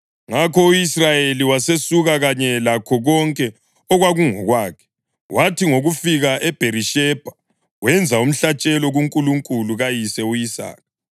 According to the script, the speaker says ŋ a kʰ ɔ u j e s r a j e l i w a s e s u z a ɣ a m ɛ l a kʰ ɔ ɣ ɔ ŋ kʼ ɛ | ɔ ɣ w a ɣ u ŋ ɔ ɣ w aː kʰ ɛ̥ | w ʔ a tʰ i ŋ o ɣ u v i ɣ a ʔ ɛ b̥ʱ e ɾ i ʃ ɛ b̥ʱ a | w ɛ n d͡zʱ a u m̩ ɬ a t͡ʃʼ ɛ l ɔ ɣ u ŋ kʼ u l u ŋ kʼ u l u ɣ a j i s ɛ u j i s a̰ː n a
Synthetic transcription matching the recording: ŋ a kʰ ɔ u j i s r a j e l i w a s e s u ɣ a ɣ a ɲ ɛ l a kʰ ɔ ɣ ɔ ŋ kʼ ɛ | ɔ ɣ w a ɣ u ŋ ɔ ɣ w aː kʰ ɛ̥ | w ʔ a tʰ i ŋ o ɣ u f i ɣ a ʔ ɛ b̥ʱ e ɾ i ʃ ɛ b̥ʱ a | w ɛ n d͡zʱ a u m̩ ɬ a t͡ʃʼ ɛ l ɔ ɣ u ŋ kʼ u l u ŋ kʼ u l u ɣ a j i s ɛ u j i s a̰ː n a